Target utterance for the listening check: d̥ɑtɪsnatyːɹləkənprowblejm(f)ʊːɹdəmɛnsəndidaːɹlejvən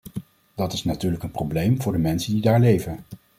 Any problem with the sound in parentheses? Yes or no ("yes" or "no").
yes